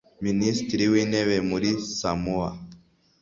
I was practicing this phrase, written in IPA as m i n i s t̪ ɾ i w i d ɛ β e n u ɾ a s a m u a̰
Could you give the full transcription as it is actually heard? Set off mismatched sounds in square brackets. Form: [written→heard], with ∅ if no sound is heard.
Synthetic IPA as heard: m i n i s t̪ ɾ i w i [d→n] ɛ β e [n→m] u ɾ [a→i] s a m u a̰